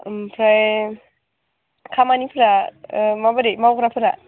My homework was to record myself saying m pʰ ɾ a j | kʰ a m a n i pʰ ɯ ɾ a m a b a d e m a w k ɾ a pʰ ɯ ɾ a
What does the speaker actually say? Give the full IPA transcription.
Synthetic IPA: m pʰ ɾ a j | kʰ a m a n i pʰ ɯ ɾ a m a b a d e m a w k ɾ a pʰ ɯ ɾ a

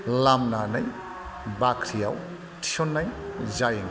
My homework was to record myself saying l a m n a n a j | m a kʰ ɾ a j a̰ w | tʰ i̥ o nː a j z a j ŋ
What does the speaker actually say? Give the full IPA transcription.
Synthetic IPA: l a m n a n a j | b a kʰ ɾ i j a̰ w | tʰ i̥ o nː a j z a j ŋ

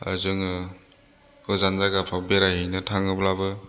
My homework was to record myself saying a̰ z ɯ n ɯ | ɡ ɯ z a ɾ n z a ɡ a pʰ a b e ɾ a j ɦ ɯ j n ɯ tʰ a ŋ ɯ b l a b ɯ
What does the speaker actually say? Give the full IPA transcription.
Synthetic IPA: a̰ z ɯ ŋ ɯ | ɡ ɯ z a n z a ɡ a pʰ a b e ɾ a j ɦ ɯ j n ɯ tʰ a ŋ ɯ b l a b ɯ

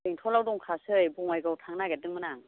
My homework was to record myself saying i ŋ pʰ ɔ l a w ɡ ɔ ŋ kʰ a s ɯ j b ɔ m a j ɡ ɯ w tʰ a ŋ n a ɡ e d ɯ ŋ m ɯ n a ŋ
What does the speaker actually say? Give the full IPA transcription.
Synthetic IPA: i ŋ tʰ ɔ l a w d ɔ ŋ kʰ a s ɯ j b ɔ ŋ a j ɡ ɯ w tʰ a ŋ n a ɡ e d ɯ ŋ m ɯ n a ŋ

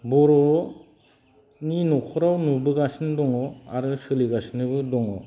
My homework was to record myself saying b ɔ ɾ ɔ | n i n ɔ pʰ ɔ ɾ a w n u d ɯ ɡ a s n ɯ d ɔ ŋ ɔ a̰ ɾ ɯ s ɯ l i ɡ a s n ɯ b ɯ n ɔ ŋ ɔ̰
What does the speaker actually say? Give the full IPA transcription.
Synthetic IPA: b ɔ ɾ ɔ | n i n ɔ kʰ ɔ ɾ a w n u b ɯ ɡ a s n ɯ d ɔ ŋ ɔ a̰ ɾ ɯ s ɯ l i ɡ a s n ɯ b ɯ d ɔ ŋ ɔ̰

